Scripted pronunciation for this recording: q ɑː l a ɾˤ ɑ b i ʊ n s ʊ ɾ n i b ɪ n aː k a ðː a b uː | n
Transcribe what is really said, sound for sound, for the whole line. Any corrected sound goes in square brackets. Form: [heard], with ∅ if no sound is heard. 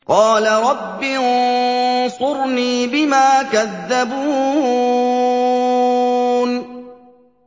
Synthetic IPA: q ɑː l a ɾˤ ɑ [bː] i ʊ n s ʊ ɾ n [iː] b ɪ [m] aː k a ðː a b uː | n